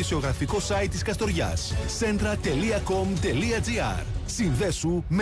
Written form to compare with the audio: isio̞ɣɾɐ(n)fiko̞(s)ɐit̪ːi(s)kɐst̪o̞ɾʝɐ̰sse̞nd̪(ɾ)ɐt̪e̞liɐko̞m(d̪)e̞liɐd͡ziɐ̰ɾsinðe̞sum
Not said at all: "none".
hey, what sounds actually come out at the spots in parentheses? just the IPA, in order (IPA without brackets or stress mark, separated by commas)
none, s, s, ɾ, t̪